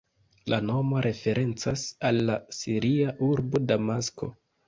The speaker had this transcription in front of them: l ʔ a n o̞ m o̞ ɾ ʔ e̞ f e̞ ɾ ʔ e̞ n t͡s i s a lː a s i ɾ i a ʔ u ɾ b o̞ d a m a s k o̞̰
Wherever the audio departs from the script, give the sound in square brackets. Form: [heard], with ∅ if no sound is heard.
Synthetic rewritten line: l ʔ a n o̞ m o̞ ɾ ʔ e̞ f e̞ ɾ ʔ e̞ n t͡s [a] s a lː a s i ɾ i a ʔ u ɾ b o̞ d a m a s k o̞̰